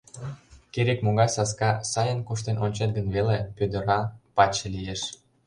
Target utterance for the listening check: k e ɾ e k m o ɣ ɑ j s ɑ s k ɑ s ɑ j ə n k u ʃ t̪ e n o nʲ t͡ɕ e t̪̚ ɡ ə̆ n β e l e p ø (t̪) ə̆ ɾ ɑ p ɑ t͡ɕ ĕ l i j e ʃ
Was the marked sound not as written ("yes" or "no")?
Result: yes